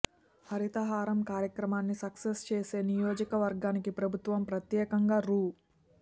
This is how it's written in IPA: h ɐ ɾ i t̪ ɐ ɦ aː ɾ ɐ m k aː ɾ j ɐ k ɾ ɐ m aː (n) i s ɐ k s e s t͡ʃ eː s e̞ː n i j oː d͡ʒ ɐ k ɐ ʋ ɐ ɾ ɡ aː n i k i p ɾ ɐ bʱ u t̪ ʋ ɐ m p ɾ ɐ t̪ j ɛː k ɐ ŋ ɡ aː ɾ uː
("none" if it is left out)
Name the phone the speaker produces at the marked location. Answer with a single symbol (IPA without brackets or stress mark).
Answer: nː